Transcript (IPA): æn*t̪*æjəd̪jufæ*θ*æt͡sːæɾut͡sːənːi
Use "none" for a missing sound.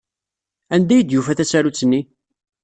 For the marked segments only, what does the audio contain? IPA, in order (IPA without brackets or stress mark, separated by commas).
d̪, θ